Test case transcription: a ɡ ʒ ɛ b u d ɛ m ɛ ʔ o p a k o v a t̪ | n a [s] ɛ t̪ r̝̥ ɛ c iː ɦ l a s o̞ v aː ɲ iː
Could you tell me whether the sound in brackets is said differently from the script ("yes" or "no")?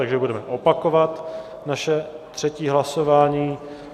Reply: yes